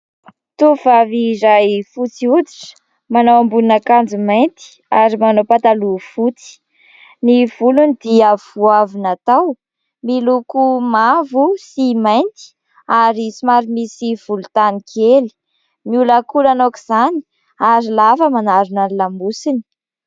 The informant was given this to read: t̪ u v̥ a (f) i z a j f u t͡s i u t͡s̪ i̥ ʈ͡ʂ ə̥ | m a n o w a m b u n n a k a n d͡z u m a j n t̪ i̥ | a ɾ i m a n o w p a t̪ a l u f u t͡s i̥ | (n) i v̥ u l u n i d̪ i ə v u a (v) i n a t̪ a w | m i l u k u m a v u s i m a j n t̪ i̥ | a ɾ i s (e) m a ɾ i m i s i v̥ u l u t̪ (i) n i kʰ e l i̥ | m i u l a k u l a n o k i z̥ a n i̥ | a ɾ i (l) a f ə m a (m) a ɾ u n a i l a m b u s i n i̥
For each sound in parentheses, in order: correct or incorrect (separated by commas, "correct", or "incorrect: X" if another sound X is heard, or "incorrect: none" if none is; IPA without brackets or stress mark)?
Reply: incorrect: v, correct, correct, incorrect: i, incorrect: a, correct, incorrect: n